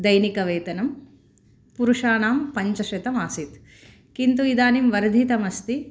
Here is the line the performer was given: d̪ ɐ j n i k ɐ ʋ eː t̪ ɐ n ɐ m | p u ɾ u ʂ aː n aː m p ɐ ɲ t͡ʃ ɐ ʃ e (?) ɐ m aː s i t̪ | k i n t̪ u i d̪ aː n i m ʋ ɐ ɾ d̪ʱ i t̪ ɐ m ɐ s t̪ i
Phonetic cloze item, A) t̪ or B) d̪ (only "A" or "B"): A